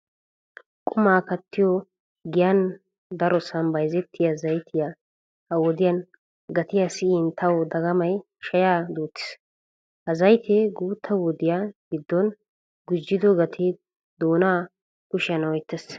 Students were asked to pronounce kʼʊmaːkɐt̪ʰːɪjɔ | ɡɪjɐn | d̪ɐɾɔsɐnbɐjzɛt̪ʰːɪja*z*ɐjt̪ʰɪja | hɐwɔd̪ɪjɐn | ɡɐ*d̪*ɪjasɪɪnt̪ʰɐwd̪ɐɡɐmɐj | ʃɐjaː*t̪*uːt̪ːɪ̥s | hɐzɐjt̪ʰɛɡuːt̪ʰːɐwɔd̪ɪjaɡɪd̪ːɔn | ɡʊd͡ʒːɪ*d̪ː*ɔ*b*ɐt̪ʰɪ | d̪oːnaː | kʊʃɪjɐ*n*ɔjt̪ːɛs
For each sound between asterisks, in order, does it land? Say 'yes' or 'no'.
yes, no, no, no, no, yes

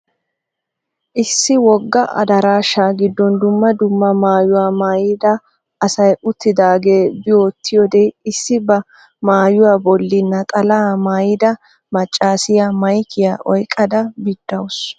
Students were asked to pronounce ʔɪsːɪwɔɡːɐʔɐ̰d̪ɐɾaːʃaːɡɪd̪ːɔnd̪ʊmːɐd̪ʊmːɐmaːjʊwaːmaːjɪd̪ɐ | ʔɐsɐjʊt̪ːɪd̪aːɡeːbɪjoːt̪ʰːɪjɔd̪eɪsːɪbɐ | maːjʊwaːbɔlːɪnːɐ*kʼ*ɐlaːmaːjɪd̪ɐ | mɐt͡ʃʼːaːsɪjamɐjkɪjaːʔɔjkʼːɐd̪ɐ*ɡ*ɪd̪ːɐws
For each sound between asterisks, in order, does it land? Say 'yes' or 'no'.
yes, no

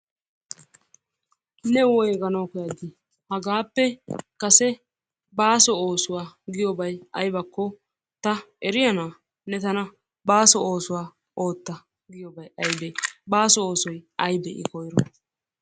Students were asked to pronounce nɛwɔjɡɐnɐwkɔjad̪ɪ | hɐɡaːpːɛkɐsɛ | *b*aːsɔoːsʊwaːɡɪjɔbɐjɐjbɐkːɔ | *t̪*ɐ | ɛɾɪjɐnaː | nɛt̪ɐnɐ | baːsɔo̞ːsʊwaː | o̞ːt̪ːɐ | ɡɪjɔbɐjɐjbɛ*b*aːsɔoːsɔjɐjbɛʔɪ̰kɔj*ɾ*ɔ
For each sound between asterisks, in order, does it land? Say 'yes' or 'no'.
yes, yes, yes, yes

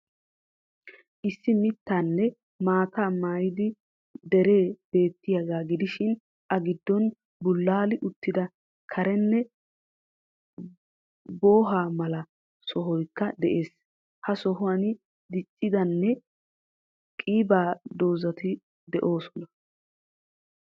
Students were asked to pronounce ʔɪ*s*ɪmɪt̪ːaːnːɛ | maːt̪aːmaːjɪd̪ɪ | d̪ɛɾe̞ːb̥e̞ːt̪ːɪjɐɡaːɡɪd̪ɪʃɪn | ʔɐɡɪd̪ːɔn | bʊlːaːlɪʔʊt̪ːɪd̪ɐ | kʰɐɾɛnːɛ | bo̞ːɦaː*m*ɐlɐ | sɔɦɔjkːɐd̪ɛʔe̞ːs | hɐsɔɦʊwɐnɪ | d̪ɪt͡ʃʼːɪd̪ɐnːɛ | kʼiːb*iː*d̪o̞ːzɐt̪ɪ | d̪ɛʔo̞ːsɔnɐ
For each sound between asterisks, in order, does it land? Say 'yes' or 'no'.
no, yes, no

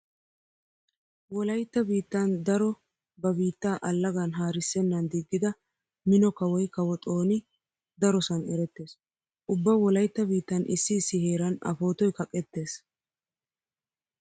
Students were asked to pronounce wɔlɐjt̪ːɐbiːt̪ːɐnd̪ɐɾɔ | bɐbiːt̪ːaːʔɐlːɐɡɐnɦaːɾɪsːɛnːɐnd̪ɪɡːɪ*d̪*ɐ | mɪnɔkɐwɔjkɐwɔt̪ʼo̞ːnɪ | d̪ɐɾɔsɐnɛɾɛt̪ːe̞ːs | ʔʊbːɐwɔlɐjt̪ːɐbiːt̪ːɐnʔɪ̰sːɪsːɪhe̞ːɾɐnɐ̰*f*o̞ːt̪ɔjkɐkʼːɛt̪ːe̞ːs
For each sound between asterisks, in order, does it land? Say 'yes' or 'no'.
yes, yes

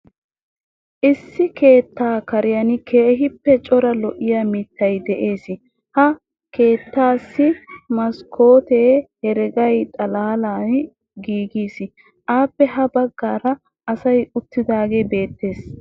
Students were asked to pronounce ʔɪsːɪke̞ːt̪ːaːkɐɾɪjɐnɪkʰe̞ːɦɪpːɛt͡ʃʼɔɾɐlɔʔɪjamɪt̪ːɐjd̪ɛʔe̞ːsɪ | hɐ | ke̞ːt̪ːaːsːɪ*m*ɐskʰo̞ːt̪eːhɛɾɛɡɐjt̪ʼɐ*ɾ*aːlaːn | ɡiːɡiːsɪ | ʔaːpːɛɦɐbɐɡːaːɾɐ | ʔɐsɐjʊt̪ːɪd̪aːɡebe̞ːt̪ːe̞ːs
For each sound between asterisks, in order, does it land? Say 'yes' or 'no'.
yes, no

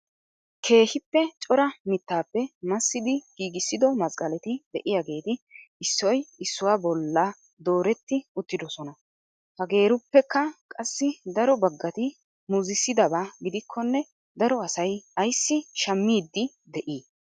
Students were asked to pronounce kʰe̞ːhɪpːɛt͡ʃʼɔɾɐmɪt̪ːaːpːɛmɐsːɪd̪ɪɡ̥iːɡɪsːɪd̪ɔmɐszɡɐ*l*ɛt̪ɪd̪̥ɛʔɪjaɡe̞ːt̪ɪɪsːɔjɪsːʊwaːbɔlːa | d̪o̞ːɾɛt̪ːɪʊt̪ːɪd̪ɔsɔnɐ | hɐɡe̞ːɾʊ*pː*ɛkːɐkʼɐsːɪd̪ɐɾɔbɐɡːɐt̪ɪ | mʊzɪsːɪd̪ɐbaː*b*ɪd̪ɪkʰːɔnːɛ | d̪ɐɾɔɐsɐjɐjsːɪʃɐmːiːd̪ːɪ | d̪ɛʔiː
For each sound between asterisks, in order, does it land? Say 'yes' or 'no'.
yes, yes, no

